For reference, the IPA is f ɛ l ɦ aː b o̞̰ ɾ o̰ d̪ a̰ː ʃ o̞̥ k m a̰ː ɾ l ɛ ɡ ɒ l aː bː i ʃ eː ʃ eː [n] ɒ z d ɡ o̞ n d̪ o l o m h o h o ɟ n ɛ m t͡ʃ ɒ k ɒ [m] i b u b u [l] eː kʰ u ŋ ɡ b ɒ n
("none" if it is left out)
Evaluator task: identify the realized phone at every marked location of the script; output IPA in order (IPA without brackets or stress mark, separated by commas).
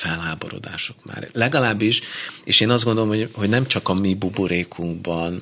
n, m, ɾ